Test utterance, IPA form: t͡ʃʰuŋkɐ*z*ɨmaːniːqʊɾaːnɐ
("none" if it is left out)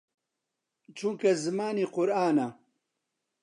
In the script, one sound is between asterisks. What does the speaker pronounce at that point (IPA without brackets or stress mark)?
z